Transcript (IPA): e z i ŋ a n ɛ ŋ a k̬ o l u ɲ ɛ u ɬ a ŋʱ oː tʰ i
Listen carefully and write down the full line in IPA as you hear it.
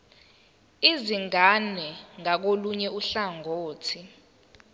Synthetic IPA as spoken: i z i ŋ a n ɛ ŋ a k̬ o l u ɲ ɛ u ɬ a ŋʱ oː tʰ i